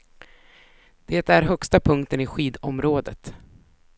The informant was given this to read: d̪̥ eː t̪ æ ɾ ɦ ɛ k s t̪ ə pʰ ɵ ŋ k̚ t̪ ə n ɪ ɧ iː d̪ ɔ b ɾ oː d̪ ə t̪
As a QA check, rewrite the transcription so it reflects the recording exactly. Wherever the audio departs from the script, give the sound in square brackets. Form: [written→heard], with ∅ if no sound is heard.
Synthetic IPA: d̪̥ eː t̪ æ ɾ ɦ [ɛ→œ] k s t̪ [ə→a] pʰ ɵ ŋ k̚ t̪ ə n ɪ ɧ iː d̪ ɔ [b→m] ɾ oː d̪ ə t̪